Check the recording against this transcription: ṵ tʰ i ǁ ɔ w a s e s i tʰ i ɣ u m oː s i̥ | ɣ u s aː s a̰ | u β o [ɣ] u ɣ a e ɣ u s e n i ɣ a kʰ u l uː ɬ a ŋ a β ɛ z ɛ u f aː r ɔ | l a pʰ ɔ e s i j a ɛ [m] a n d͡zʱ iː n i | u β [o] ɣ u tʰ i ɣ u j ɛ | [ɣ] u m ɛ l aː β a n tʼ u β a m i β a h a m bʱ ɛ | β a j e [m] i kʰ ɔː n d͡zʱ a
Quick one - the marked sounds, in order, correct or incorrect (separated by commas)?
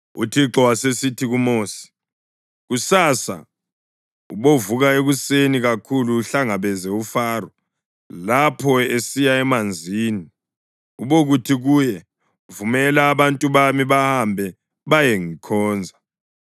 incorrect, correct, correct, incorrect, incorrect